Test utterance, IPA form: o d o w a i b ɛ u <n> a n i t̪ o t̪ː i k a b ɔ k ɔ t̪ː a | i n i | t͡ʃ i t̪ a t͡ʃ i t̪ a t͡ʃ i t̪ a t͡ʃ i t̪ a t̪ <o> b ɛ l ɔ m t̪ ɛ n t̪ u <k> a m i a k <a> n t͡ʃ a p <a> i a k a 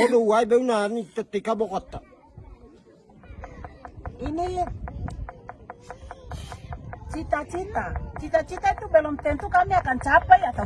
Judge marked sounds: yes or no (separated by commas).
yes, no, yes, yes, yes